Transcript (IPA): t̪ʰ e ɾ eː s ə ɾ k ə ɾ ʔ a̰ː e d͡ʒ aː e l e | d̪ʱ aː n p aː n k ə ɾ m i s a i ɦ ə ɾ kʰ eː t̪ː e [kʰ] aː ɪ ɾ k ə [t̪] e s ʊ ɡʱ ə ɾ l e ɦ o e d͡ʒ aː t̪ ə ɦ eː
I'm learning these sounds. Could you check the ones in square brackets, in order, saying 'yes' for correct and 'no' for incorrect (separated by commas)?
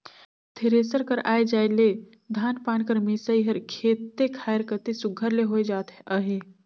yes, yes